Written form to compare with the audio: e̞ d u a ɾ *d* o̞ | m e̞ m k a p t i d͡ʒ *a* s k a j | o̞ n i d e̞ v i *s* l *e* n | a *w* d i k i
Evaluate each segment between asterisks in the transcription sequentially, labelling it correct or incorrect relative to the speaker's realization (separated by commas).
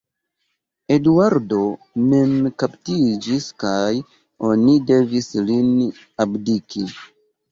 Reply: correct, incorrect, correct, incorrect, incorrect